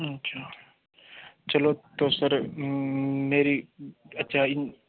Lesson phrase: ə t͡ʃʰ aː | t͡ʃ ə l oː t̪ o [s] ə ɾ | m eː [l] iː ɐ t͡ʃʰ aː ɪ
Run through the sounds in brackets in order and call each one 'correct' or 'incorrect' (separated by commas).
correct, incorrect